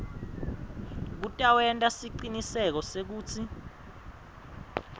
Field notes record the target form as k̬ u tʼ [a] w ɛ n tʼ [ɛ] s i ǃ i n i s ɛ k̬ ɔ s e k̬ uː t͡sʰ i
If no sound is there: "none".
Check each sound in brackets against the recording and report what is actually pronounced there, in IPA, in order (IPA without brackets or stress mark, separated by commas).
a, a